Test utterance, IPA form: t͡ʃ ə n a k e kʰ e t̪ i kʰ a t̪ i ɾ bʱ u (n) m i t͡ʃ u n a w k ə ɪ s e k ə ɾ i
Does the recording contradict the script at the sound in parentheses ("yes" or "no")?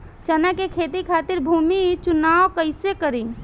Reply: yes